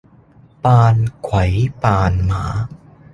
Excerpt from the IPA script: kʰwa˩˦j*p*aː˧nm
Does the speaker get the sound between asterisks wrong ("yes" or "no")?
no